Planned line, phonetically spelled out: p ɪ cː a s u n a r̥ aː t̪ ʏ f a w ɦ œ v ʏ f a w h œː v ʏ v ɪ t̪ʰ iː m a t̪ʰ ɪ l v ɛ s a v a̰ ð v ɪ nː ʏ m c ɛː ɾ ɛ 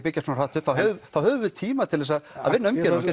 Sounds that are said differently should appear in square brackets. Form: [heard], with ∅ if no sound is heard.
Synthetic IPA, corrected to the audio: p ɪ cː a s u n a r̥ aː t̪ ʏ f a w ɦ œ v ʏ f a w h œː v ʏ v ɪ t̪ʰ iː m a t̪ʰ ɪ l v ɛ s a [ð] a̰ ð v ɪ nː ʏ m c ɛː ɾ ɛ

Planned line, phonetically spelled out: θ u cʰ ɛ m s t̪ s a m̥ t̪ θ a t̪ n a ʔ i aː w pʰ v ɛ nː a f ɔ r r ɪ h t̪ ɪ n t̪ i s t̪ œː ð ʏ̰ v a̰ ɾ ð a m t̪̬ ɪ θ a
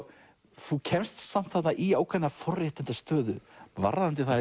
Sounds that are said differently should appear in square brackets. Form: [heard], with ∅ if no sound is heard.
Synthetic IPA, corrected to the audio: θ u cʰ ɛ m s t̪ s a m̥ t̪ θ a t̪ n a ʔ i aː w [kʰ] v ɛ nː a f ɔ r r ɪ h t̪ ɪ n t̪ [a] s t̪ œː ð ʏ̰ v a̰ ɾ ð a [n] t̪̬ ɪ θ a

